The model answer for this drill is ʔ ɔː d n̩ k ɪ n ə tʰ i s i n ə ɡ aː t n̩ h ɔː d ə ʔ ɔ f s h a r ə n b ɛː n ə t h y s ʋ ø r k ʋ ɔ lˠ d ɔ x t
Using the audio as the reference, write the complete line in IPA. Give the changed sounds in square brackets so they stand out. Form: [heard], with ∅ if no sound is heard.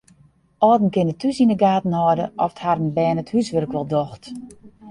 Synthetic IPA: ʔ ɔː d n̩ k ɪ n ə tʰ [y] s i n ə ɡ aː t n̩ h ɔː d ə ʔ ɔ f [t] h a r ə n b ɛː n ə t h y s ʋ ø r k ʋ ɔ lˠ d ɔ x t